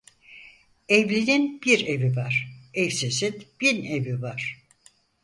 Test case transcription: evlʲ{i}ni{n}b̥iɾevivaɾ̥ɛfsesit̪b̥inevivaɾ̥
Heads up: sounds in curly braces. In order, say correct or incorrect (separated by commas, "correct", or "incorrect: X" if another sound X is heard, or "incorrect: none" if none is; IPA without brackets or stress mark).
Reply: correct, correct